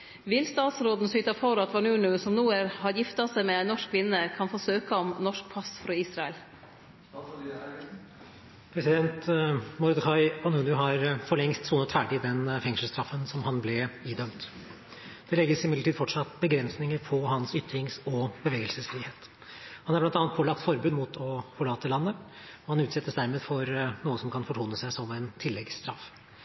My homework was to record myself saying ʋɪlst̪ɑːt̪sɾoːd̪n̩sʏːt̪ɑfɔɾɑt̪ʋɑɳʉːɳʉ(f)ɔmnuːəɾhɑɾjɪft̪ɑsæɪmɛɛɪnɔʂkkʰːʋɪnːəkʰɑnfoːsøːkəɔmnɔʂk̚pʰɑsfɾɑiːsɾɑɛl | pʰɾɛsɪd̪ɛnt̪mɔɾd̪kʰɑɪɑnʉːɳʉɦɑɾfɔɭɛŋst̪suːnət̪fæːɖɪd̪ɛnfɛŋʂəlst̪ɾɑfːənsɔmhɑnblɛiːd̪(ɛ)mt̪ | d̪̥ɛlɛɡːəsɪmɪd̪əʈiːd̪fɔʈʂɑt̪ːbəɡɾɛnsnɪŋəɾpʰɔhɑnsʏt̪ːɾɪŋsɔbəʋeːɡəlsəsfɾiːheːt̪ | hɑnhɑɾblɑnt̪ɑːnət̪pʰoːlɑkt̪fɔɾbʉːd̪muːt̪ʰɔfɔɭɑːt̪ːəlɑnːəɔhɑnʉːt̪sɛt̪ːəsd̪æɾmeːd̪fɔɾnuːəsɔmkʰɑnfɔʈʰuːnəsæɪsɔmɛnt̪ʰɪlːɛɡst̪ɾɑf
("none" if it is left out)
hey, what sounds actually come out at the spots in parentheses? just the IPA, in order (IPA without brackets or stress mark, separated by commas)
s, œ